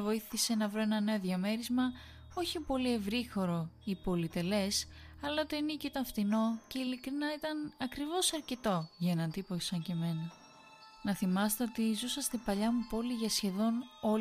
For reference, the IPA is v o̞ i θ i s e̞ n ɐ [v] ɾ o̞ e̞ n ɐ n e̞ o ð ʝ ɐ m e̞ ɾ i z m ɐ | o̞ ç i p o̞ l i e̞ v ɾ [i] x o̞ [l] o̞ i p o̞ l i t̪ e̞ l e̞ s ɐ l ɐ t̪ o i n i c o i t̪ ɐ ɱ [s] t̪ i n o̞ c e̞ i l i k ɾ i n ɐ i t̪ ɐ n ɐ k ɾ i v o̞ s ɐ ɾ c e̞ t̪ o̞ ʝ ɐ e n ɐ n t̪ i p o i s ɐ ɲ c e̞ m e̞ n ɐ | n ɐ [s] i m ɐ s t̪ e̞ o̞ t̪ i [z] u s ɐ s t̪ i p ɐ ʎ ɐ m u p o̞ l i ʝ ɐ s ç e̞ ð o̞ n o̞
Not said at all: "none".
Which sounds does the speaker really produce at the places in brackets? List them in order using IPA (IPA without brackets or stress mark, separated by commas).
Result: v, i, ɾ, f, θ, z